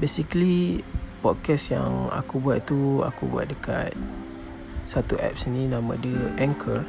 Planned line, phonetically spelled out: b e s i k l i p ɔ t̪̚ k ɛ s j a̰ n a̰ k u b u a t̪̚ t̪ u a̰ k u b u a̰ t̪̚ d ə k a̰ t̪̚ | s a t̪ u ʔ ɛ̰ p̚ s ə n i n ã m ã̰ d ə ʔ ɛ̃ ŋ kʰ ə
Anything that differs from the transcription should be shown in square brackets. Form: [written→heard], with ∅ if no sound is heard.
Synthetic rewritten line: b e s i k l i p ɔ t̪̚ k ɛ s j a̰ [n→ŋ] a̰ k u b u a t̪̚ t̪ u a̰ k u b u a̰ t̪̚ d ə k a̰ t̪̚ | s a t̪ u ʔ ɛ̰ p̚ s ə n i n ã m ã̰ d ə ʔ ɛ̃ ŋ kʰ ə